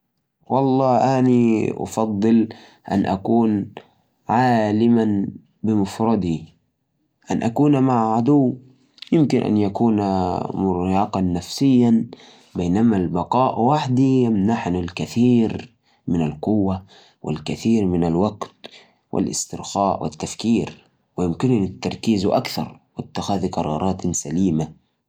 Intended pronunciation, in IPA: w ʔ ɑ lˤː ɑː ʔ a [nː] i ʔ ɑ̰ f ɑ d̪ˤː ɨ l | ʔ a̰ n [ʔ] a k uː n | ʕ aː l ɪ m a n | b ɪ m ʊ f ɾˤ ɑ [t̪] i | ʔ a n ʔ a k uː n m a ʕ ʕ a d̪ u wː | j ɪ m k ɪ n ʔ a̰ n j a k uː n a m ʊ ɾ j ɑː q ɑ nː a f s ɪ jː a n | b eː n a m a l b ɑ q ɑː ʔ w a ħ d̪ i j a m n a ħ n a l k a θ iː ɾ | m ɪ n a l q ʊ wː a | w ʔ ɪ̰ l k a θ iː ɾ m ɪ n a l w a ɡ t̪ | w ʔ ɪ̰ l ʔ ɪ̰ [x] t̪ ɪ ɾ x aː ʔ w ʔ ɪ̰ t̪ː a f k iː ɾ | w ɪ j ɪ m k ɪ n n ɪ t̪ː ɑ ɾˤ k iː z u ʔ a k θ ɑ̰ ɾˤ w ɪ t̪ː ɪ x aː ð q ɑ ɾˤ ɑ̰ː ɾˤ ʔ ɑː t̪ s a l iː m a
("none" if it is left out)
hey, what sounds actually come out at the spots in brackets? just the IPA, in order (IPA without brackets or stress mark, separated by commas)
n, ʔ, d̪, s